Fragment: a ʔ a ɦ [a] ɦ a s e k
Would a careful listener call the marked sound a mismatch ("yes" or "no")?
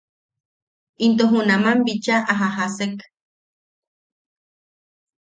no